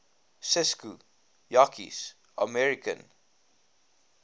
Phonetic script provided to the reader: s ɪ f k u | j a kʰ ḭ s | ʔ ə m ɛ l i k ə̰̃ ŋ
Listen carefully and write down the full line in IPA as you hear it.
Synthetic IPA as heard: s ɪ s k u | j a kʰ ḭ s | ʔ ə m ɛ ɹ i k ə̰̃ n